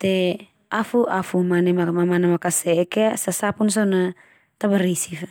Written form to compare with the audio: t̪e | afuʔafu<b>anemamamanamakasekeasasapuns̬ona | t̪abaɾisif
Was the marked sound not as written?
yes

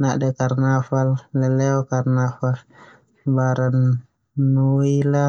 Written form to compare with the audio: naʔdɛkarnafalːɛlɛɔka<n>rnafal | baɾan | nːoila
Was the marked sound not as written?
yes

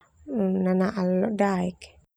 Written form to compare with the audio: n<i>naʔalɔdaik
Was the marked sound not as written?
yes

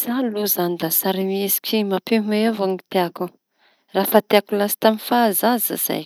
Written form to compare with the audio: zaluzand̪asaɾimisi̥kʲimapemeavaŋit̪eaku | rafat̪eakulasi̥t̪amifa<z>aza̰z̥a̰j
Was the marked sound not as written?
no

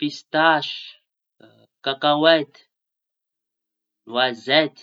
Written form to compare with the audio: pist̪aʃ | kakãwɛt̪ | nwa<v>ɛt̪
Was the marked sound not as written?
yes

